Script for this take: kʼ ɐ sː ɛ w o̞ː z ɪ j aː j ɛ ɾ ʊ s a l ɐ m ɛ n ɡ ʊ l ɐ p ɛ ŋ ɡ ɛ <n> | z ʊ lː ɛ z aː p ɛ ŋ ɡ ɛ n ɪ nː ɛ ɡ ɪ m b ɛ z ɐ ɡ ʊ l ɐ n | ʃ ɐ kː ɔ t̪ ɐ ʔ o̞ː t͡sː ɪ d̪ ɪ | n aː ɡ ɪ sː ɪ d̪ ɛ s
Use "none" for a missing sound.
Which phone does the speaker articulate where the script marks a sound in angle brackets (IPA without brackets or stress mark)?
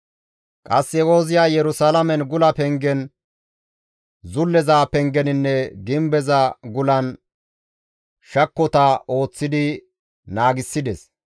n